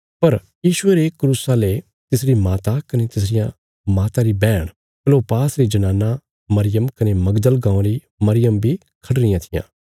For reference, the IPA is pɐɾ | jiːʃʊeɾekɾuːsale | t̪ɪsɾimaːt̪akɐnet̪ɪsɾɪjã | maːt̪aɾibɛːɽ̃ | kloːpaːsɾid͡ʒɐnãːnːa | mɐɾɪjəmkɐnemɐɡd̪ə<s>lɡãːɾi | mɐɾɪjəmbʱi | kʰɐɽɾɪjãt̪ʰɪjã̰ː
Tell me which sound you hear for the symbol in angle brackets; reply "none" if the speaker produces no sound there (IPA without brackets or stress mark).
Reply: none